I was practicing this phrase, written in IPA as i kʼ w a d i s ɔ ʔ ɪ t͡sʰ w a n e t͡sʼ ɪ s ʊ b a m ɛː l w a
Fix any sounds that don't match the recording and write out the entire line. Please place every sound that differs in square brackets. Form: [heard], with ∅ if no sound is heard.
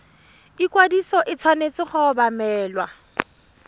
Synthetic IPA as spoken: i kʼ w a d i s ɔ ʔ ɪ t͡sʰ w a n e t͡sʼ ɪ [χ] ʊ b a m ɛː l w a